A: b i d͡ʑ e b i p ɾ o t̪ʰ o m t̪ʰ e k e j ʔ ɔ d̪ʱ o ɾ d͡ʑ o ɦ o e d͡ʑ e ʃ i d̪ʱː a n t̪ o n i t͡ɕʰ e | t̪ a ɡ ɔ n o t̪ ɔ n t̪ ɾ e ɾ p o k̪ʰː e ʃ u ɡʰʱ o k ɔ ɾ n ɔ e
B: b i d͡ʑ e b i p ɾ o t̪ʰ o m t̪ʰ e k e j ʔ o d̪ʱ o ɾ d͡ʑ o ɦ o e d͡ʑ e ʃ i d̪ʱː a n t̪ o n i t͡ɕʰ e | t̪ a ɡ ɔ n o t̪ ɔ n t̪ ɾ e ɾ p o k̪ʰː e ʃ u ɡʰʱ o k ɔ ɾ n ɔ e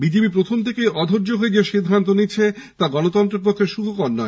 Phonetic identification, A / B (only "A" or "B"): A